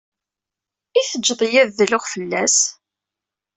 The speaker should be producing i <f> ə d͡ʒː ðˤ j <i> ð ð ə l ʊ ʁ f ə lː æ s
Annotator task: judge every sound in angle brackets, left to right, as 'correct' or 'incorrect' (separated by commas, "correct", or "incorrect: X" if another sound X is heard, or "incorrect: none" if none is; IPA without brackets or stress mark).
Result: incorrect: θ, incorrect: æ